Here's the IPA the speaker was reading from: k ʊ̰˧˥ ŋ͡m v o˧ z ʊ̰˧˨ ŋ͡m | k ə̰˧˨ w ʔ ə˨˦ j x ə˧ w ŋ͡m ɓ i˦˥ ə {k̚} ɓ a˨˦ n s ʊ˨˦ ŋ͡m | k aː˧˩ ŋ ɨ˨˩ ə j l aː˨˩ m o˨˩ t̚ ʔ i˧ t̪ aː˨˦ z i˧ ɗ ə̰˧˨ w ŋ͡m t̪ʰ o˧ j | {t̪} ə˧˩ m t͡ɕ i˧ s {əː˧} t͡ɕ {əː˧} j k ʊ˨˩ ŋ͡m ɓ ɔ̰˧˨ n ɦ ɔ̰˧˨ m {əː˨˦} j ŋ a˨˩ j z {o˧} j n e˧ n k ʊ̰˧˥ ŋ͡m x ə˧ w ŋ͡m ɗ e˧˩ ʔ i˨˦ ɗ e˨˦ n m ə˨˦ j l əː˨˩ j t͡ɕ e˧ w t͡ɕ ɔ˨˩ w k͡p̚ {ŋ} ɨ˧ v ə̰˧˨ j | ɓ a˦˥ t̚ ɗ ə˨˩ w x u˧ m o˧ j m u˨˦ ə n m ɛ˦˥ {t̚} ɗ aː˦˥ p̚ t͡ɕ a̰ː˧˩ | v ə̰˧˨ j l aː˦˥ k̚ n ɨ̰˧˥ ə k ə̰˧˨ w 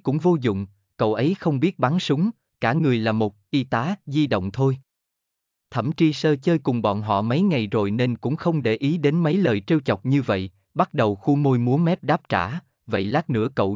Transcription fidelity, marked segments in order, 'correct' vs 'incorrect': incorrect: t̚, incorrect: t̪ʰ, correct, correct, incorrect: ə˨˦, incorrect: o˨˩, incorrect: ɲ, incorrect: p̚

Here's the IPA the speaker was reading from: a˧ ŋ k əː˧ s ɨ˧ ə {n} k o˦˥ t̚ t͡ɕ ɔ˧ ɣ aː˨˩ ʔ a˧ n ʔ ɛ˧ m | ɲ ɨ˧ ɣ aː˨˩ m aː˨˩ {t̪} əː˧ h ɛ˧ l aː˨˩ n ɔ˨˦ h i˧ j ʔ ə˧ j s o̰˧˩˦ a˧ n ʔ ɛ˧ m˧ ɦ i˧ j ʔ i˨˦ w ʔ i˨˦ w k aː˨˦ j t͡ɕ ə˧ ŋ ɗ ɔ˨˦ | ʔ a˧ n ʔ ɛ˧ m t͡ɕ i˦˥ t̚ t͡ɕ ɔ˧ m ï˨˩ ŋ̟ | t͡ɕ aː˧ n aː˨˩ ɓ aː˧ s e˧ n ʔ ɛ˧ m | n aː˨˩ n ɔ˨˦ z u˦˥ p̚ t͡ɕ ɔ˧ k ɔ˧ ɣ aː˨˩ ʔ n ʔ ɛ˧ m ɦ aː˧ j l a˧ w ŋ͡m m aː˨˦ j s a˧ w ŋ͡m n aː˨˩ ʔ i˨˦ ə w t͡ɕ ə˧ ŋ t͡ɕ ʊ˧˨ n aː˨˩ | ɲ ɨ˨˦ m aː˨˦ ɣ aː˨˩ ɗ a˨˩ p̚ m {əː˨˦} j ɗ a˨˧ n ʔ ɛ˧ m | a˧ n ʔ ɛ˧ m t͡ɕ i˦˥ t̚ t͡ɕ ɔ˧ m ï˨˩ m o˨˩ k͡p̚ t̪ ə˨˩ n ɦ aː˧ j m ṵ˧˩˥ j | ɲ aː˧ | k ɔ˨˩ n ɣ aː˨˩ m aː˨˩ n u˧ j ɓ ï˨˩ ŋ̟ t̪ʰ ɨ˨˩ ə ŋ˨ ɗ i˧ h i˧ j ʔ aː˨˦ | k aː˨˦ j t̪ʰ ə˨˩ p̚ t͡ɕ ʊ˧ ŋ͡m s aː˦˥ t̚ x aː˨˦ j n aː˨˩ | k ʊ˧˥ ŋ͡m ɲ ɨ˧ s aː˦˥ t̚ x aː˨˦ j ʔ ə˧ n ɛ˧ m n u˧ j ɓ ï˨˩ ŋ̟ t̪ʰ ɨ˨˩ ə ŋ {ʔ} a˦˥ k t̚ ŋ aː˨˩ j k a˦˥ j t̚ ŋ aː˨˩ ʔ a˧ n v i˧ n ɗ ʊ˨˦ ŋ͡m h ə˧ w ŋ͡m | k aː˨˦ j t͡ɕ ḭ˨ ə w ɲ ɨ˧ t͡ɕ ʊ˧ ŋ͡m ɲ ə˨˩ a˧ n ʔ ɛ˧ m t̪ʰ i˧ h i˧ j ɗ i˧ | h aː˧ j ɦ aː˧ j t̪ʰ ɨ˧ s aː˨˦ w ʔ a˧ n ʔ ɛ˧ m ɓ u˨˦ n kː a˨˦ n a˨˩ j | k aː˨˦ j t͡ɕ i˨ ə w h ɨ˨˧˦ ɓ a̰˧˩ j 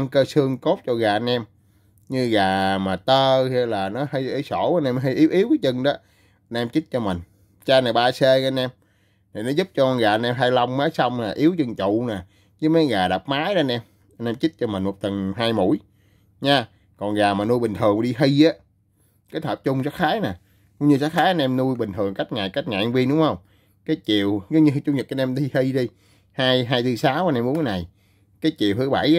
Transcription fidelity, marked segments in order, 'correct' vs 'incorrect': incorrect: ŋ, correct, incorrect: aː˨˦, incorrect: k

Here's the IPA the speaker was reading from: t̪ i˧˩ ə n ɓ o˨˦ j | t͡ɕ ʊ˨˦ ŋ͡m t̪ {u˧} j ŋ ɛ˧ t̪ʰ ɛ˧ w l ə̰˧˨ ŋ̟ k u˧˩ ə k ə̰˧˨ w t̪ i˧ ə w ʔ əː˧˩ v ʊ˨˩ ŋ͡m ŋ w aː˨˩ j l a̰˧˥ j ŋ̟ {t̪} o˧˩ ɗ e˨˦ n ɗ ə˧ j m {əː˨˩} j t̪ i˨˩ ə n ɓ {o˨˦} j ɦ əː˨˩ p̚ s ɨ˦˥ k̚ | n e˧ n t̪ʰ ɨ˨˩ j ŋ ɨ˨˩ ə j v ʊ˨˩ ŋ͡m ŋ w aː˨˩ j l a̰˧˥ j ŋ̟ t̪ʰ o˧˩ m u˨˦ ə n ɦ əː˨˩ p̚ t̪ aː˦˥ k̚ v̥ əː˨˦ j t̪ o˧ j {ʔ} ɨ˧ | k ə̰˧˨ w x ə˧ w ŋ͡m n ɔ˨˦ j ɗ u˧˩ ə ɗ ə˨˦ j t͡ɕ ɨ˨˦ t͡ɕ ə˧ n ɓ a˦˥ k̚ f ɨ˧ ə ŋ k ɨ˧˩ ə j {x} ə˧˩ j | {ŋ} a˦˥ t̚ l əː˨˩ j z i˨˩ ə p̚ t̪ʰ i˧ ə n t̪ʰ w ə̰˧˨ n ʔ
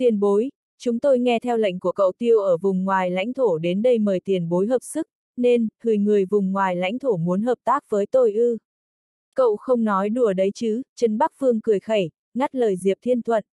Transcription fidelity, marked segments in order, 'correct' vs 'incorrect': incorrect: o˧, incorrect: t̪ʰ, correct, correct, correct, correct, correct

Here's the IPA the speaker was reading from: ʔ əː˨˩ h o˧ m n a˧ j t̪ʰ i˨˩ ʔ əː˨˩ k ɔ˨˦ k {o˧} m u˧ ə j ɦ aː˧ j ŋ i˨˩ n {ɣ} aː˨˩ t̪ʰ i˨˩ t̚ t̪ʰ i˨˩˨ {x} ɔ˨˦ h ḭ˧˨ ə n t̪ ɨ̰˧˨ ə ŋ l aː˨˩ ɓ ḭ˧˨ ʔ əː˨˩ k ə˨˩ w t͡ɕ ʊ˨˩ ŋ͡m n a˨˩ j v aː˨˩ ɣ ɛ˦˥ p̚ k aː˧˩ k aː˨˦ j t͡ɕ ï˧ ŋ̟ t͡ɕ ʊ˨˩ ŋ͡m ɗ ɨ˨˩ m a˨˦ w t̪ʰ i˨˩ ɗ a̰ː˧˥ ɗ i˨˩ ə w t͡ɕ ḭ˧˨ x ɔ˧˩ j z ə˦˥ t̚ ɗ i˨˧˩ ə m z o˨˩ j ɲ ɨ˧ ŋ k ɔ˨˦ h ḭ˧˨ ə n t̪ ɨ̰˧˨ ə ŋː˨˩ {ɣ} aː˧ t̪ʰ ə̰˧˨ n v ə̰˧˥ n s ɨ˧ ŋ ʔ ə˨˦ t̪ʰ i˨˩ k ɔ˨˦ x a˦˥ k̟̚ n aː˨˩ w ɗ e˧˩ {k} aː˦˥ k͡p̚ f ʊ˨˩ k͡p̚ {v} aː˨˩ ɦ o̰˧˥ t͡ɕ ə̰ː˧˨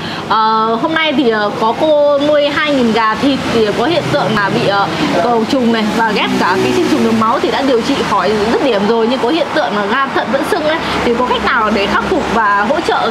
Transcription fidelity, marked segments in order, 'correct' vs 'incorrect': correct, correct, incorrect: k, correct, incorrect: x, correct

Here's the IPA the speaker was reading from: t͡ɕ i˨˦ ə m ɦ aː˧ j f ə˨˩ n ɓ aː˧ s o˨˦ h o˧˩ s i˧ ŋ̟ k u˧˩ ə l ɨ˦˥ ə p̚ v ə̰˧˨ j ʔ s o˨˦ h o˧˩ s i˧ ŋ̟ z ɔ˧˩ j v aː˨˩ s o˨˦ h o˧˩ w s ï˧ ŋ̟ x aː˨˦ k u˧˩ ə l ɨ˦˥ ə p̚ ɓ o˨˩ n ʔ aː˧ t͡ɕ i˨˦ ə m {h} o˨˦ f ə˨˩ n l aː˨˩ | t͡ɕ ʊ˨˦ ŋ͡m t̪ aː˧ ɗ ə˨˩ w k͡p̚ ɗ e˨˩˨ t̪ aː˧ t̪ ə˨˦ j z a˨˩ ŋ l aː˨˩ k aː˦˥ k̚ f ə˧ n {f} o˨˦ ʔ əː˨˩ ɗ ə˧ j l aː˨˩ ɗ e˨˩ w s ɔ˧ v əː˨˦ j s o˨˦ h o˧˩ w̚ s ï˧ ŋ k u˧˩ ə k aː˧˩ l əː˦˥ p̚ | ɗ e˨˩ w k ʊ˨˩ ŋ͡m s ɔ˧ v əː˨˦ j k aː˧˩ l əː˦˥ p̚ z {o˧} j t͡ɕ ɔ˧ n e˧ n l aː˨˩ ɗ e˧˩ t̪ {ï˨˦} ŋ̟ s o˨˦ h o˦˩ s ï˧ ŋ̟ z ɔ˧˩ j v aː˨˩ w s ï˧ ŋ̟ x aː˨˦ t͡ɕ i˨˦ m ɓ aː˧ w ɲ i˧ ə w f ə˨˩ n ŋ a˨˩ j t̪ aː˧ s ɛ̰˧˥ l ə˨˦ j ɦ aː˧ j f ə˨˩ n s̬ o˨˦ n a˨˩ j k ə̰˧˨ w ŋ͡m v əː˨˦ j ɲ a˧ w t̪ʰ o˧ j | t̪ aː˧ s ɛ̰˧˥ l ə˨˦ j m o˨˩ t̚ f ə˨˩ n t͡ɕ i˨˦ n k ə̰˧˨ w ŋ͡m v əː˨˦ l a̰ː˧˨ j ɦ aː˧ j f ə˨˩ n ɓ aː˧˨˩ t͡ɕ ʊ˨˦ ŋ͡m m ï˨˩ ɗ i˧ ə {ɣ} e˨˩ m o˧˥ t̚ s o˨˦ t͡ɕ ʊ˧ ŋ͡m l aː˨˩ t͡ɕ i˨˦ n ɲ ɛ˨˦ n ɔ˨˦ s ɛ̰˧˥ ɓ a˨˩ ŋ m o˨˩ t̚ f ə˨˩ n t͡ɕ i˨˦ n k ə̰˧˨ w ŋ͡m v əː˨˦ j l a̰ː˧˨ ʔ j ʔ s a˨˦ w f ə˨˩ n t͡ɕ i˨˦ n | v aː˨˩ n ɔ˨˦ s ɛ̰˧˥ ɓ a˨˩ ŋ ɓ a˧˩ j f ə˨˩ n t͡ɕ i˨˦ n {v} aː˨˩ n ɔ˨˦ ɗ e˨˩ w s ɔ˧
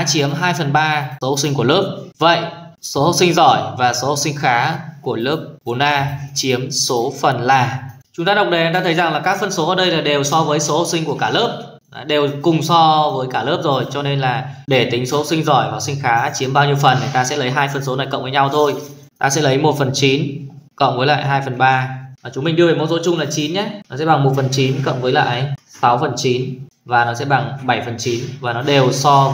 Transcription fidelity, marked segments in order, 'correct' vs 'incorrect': incorrect: s, incorrect: s, incorrect: o˨˩, correct, incorrect: v, correct

